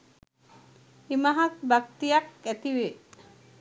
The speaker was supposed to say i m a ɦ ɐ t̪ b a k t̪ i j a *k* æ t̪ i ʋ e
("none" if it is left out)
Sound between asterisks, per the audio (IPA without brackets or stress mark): k